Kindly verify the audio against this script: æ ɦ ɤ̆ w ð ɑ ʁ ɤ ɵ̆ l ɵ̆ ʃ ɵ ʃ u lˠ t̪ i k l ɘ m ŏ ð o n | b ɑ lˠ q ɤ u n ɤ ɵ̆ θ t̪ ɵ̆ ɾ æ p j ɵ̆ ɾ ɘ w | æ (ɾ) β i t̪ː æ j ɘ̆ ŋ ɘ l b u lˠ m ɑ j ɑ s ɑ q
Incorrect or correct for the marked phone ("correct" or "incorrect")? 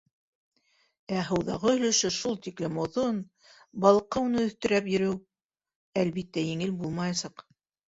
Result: incorrect